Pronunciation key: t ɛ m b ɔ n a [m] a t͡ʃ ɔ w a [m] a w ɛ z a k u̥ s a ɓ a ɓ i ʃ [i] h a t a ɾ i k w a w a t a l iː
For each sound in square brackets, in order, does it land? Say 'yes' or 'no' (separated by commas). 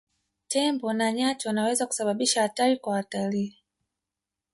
no, no, no